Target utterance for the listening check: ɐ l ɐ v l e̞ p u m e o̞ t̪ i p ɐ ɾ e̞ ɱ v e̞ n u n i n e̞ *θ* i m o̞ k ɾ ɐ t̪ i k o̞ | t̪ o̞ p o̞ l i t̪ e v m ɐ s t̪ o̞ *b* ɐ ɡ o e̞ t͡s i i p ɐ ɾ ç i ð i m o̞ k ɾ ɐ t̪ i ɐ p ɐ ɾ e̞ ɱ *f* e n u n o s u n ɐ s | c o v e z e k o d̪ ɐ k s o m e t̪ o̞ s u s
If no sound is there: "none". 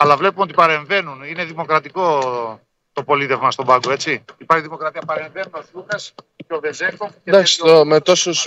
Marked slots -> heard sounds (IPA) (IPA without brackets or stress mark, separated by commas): ð, b, v